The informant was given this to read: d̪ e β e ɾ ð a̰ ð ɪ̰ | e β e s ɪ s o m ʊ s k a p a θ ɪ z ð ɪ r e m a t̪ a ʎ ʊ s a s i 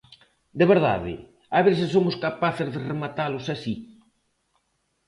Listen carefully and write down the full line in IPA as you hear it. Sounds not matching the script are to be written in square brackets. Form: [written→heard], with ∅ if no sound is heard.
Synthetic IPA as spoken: d̪ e β e ɾ ð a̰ ð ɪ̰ | [e→a] β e s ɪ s o m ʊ s k a p a θ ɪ z ð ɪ r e m a t̪ a [ʎ→l] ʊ s a s i